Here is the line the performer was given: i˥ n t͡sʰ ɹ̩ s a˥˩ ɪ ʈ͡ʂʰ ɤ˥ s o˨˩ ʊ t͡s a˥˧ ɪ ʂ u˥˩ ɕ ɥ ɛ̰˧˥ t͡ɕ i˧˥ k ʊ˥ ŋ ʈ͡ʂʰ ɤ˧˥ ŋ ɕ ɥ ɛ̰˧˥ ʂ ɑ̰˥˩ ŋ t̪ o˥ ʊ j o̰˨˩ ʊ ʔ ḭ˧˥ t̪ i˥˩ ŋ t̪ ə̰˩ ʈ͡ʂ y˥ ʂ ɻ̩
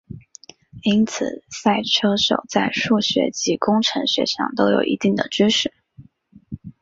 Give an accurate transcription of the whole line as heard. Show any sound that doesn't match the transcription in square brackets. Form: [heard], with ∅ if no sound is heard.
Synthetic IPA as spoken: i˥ n t͡sʰ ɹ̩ s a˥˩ ɪ ʈ͡ʂʰ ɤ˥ [ʂ] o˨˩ ʊ t͡s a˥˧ ɪ ʂ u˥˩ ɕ ɥ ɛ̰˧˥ t͡ɕ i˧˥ k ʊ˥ ŋ ʈ͡ʂʰ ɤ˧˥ ŋ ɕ ɥ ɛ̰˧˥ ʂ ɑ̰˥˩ ŋ t̪ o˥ ʊ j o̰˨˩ ʊ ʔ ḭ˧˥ t̪ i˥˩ ŋ [d̪] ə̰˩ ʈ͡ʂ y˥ ʂ ɻ̩